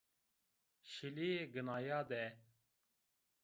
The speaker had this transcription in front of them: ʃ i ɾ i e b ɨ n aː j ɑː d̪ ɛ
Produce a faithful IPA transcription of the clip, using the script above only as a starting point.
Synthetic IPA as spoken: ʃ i l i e ɡ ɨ n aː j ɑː d̪ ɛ